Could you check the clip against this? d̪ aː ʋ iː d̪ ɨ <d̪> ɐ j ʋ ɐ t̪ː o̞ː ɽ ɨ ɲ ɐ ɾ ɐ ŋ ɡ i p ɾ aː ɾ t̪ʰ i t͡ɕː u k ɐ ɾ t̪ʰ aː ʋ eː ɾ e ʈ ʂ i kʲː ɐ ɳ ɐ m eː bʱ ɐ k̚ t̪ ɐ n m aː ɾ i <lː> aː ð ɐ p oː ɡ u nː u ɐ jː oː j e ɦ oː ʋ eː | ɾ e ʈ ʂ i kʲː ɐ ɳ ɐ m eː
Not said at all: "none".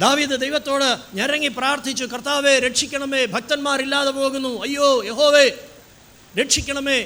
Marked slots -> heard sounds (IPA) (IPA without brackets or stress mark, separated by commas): d̪, lː